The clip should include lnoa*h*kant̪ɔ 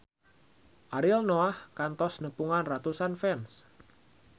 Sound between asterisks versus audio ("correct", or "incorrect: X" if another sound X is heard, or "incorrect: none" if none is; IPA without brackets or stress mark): correct